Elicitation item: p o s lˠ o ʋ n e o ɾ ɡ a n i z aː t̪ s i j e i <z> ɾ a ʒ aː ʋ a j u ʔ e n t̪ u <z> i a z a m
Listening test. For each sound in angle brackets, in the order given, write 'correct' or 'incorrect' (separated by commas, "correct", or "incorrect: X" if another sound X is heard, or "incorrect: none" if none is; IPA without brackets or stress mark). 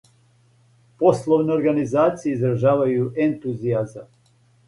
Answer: correct, correct